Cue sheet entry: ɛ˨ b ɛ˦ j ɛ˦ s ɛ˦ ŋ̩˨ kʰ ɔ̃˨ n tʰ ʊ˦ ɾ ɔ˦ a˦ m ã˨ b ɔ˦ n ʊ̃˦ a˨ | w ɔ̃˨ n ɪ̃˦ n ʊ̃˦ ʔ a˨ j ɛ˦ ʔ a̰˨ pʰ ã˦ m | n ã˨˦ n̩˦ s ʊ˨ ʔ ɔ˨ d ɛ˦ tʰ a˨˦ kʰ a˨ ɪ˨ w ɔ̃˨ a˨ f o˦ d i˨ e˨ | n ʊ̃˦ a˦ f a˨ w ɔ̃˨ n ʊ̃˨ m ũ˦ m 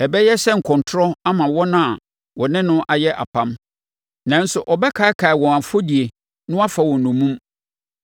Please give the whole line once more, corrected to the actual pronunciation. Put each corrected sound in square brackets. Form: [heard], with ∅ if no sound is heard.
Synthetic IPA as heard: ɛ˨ b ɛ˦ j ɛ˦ s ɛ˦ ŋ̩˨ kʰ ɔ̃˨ n tʰ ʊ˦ ɾ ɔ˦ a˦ m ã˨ [w] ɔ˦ n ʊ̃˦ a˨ | w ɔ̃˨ n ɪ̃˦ n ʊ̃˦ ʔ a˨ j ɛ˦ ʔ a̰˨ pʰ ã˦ m | n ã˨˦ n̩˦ s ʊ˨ ʔ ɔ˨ [b] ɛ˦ [kʰ] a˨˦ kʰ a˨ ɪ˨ w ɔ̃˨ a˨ f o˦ d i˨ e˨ | n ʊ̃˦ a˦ f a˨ w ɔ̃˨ n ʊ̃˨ m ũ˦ m